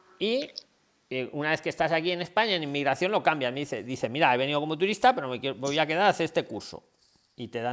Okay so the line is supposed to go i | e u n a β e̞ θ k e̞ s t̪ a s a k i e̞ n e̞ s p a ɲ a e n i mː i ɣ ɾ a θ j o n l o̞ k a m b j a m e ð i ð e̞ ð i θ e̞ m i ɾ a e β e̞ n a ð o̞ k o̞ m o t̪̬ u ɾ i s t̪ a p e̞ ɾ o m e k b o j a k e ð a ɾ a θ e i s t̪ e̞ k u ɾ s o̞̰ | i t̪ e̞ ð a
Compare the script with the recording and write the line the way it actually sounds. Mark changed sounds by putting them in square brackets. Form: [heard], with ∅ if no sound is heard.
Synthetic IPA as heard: i | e u n a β e̞ θ k e̞ s t̪ a s a k i e̞ n e̞ s p a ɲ a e n i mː i ɣ ɾ a θ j o n l o̞ k a m b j a m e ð i [θ] e̞ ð i θ e̞ m i ɾ a e β e̞ n [i] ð o̞ k o̞ m o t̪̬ u ɾ i s t̪ a p e̞ ɾ o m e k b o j a k e ð a ɾ a θ e [e] s t̪ e̞ k u ɾ s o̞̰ | i t̪ e̞ ð a